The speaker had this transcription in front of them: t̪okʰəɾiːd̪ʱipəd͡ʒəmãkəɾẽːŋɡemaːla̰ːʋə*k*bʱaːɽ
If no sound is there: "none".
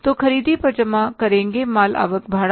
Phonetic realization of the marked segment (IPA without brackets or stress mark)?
k